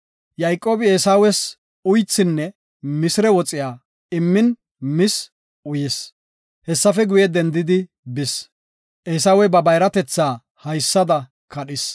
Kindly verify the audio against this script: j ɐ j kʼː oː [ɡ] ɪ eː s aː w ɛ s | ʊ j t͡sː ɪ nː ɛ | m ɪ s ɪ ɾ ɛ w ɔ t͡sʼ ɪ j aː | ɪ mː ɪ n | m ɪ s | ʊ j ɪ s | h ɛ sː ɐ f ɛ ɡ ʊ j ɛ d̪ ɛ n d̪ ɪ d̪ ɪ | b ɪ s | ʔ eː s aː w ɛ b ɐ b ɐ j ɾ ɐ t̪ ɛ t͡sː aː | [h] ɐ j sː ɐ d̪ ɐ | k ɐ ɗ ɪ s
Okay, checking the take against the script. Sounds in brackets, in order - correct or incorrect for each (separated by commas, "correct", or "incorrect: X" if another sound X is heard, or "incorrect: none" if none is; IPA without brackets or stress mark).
incorrect: b, correct